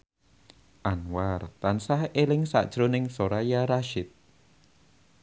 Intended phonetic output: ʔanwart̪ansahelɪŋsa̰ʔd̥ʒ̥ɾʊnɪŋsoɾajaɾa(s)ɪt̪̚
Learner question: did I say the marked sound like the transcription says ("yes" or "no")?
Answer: no